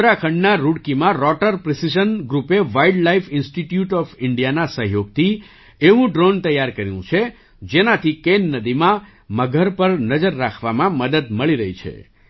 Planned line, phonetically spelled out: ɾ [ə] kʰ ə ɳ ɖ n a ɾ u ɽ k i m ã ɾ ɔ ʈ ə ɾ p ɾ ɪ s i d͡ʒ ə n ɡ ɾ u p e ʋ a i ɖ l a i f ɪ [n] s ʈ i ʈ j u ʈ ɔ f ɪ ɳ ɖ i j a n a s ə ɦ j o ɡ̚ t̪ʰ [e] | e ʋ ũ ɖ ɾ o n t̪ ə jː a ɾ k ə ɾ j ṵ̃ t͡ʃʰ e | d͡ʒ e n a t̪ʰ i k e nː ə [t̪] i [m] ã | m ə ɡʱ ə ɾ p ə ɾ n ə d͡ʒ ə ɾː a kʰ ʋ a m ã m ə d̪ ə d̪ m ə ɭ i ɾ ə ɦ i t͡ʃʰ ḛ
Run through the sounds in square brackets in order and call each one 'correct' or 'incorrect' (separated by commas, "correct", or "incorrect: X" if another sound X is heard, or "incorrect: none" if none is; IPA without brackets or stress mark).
incorrect: a, correct, incorrect: i, incorrect: d̪, correct